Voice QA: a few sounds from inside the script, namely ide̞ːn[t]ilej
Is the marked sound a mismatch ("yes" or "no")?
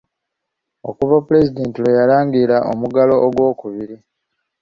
no